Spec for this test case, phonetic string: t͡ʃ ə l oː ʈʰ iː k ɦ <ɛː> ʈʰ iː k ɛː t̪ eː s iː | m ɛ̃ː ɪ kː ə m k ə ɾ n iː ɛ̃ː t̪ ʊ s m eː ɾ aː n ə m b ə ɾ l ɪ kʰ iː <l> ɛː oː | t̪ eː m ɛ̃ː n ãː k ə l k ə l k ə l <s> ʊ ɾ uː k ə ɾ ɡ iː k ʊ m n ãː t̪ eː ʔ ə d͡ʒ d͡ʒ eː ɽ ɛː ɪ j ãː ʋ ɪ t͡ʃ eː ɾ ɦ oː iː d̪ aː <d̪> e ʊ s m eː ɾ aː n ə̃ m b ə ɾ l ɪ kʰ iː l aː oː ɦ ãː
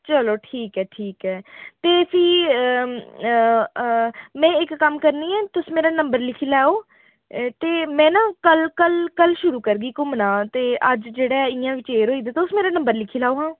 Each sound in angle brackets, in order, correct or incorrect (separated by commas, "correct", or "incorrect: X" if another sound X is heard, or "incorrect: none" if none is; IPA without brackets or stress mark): correct, correct, incorrect: ʃ, incorrect: t̪